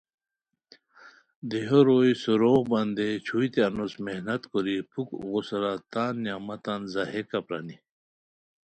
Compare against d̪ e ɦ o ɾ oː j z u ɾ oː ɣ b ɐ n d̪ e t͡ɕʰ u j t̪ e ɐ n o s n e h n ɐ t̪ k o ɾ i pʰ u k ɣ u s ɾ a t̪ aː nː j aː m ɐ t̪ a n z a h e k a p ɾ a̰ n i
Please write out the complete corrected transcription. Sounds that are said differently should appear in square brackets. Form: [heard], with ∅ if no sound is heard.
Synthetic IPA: d̪ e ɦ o ɾ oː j [s] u ɾ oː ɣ b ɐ n d̪ e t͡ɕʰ u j t̪ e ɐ n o s [m] e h n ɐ t̪ k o ɾ i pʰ u k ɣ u s ɾ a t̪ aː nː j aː m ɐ t̪ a n z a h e k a p ɾ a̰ n i